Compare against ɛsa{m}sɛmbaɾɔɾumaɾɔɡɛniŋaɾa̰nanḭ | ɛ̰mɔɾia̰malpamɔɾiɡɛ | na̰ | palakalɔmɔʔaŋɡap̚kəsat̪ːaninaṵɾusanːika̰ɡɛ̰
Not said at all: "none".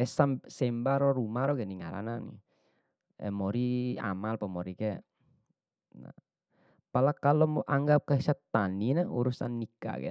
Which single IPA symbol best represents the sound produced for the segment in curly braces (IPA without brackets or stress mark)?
m